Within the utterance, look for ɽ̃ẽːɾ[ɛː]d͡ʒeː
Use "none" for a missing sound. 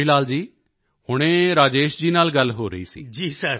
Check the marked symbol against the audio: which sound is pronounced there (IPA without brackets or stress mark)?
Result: aː